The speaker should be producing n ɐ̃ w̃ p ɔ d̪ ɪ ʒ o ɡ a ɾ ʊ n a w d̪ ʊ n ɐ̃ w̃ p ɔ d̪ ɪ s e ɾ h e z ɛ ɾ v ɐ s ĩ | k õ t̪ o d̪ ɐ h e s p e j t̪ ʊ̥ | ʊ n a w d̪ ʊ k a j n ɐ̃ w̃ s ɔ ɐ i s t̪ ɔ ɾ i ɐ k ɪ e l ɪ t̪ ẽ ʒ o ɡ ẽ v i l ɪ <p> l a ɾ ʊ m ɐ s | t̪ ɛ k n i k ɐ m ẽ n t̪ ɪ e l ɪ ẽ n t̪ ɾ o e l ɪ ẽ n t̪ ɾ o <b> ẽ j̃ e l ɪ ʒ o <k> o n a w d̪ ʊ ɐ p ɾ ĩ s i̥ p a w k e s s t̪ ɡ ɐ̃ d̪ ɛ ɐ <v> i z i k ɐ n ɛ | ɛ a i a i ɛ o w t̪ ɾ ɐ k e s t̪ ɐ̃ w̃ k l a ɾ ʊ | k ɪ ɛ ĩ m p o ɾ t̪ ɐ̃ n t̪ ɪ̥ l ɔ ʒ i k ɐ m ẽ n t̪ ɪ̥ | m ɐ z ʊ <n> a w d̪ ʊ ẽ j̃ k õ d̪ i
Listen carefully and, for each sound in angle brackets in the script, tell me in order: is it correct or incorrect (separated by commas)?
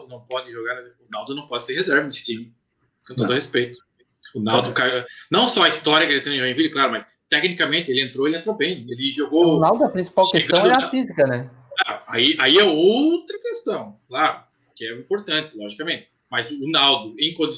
incorrect, correct, incorrect, incorrect, correct